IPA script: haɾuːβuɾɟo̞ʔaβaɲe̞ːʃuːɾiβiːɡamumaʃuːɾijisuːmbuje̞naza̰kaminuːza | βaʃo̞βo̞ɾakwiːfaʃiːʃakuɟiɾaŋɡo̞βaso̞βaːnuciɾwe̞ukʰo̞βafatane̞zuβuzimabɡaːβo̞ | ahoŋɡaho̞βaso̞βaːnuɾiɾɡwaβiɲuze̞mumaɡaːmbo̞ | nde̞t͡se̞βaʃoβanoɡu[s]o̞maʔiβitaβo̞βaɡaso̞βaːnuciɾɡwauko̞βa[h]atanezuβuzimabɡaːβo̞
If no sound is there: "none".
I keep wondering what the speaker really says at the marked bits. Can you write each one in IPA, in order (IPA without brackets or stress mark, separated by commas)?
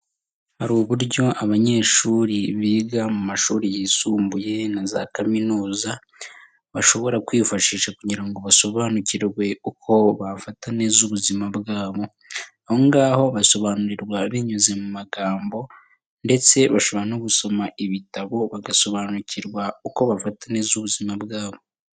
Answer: s, f